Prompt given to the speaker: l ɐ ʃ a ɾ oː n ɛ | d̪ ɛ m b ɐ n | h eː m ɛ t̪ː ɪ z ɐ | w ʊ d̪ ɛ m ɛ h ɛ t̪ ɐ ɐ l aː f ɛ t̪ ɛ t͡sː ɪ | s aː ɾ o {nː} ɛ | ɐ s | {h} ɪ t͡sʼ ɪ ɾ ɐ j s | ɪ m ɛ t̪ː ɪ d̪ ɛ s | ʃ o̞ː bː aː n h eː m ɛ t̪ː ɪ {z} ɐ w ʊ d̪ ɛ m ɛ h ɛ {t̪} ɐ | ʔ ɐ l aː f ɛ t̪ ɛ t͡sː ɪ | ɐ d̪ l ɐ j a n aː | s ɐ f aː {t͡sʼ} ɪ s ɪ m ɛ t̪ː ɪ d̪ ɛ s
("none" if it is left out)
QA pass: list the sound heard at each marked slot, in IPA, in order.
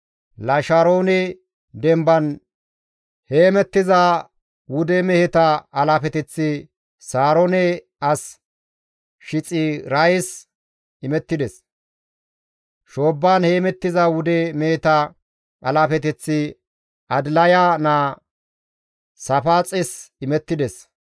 n, ʃ, z, t̪, t͡sʼ

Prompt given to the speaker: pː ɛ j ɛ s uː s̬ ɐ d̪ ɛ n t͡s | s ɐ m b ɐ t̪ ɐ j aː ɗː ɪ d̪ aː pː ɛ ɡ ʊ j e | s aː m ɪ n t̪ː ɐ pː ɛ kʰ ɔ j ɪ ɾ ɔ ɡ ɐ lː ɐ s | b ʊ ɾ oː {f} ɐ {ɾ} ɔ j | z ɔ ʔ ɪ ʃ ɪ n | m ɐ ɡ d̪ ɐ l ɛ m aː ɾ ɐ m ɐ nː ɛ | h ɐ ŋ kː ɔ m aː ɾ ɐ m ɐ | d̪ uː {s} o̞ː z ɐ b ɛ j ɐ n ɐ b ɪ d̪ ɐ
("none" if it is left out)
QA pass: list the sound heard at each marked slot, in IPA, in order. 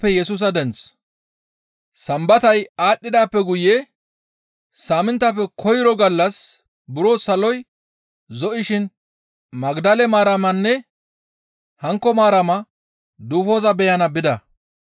s, l, f

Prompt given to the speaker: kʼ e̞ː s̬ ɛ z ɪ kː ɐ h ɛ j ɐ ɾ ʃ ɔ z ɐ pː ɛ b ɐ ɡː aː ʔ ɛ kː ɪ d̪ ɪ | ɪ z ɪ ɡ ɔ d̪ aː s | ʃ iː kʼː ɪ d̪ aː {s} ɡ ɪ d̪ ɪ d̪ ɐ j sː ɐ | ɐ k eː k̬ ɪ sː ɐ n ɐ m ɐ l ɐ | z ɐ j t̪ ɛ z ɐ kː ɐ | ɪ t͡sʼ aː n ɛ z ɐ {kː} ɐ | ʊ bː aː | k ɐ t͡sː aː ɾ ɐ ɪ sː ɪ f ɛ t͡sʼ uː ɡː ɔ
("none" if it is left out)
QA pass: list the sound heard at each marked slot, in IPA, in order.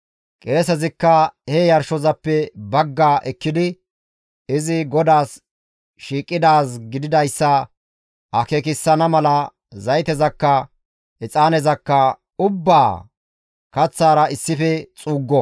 s, kː

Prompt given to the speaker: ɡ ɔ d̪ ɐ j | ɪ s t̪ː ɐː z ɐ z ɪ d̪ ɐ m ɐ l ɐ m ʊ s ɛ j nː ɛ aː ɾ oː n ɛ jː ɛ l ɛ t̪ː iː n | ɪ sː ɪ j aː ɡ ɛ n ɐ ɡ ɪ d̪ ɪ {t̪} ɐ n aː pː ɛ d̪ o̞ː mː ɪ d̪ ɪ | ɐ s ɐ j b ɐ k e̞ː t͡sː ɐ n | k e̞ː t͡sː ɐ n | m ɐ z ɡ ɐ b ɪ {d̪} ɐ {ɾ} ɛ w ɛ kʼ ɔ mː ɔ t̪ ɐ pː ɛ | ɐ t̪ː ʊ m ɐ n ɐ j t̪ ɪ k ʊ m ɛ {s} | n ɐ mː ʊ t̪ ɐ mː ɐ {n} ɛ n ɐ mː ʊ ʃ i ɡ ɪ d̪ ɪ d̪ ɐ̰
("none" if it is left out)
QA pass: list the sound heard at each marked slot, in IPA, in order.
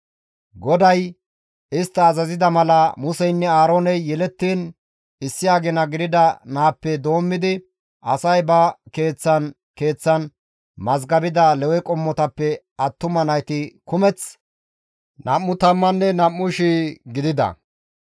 d̪, d̪, l, t͡s, nː

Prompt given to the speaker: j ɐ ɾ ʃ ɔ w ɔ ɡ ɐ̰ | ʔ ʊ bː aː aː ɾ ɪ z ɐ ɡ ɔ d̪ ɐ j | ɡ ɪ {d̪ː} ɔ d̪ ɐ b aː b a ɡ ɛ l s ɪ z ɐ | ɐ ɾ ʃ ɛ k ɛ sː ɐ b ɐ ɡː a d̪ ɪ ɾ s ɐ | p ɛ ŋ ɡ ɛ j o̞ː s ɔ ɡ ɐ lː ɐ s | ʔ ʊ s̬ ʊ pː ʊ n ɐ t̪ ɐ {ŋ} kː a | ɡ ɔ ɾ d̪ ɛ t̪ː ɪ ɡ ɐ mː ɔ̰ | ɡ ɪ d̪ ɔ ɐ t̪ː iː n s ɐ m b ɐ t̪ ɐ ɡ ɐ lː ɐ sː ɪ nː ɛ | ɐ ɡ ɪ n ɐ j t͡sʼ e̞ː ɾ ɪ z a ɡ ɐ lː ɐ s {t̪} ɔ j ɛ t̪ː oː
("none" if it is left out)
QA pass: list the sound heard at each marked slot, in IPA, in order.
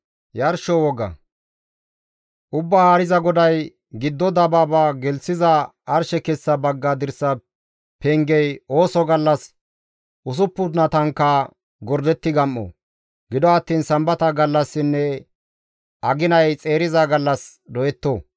d̪ː, ŋ, d̪

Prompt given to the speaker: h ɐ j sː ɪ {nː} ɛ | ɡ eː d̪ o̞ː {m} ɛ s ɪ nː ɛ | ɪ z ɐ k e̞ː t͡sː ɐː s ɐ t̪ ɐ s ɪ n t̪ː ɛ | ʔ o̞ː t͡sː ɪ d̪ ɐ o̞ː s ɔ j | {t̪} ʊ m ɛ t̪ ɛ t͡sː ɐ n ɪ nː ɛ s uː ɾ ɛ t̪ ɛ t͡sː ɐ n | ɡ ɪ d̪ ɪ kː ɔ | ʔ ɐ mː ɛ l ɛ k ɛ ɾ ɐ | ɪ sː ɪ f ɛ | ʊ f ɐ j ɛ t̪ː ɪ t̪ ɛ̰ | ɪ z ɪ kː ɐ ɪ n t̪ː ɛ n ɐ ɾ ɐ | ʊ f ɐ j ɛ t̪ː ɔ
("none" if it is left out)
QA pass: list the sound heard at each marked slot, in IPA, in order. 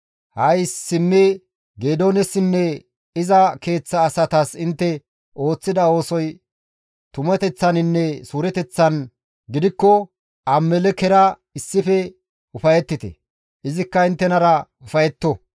mː, n, t̪

